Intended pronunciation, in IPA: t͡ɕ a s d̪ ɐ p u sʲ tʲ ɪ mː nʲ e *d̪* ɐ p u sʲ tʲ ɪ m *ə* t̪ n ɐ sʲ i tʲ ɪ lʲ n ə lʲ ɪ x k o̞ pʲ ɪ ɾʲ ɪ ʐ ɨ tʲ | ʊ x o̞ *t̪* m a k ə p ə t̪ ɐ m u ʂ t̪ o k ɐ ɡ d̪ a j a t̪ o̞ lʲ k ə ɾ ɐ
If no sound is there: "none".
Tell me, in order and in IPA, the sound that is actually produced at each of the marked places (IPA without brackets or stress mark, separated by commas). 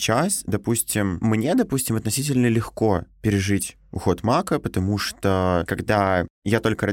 d̪, ɐ, t̪